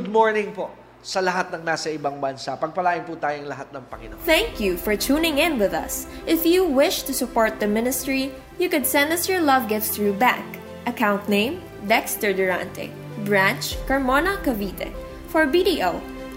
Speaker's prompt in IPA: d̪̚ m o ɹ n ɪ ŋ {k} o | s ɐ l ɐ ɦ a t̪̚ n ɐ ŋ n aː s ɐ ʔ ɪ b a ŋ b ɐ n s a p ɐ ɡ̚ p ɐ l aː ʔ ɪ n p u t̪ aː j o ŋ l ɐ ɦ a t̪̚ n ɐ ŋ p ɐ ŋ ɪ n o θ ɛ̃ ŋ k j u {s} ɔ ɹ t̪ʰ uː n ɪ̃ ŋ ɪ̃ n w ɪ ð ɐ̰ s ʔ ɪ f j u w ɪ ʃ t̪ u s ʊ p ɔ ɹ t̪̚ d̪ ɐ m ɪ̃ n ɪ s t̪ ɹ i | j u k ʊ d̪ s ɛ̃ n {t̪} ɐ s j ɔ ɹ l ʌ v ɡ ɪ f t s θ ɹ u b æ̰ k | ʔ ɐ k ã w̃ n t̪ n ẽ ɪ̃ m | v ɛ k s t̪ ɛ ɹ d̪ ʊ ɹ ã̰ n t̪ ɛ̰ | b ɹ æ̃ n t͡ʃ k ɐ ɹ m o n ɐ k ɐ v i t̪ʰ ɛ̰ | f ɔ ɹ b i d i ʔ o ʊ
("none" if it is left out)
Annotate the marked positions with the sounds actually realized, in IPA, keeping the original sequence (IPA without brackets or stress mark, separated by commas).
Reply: p, f, d̪